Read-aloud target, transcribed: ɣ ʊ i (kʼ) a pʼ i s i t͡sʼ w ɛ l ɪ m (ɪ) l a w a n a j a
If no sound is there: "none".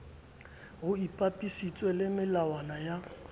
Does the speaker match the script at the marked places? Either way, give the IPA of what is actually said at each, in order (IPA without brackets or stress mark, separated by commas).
pʼ, ɪ